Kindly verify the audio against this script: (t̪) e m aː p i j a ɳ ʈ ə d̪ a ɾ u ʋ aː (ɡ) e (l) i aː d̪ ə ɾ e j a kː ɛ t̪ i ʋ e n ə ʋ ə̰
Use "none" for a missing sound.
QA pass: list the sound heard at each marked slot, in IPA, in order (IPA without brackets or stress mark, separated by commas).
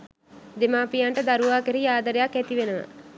d̪, k, ɾ